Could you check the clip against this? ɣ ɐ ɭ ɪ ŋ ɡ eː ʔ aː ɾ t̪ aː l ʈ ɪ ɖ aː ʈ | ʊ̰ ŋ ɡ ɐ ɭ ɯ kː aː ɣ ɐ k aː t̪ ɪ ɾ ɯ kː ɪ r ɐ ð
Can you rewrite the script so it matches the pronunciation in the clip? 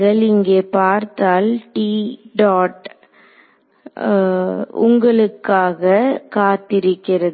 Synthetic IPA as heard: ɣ ɐ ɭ ɪ ŋ ɡ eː p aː ɾ t̪ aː l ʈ i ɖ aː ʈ | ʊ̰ ŋ ɡ ɐ ɭ ɯ kː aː ɣ ɐ k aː t̪ ɪ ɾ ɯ kː ɪ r ɐ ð